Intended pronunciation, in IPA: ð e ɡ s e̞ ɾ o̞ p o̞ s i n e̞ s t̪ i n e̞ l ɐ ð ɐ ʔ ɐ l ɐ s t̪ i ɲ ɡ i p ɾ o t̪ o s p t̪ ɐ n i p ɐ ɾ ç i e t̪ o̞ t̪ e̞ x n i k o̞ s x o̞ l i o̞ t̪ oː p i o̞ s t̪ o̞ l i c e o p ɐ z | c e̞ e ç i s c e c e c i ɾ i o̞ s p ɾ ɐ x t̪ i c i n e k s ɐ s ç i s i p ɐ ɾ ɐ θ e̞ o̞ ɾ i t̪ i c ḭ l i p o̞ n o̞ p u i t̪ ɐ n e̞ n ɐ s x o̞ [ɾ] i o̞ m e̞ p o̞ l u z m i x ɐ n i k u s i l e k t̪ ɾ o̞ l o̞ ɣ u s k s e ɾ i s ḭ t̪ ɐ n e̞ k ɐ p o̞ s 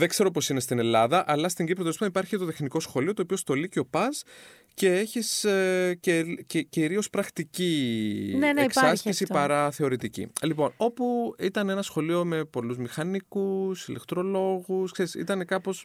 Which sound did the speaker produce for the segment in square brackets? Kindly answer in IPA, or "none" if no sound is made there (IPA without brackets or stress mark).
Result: l